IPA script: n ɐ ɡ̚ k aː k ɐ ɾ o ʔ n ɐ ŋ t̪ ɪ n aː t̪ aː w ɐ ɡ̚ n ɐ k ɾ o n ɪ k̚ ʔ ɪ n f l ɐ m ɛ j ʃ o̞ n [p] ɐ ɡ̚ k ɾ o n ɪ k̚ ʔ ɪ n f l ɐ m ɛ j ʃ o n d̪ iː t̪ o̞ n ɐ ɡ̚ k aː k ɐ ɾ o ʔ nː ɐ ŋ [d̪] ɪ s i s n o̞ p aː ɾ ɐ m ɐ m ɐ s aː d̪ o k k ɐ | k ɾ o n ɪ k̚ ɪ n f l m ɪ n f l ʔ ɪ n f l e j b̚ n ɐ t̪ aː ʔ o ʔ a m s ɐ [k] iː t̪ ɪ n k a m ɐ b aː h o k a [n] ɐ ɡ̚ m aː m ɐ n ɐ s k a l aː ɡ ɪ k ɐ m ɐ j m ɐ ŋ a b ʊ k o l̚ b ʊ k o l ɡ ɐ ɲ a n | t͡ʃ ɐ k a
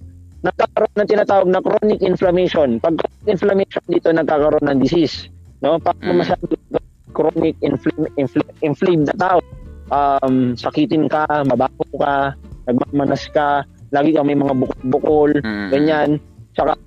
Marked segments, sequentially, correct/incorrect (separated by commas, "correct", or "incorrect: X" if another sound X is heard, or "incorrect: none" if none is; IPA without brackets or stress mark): correct, correct, correct, correct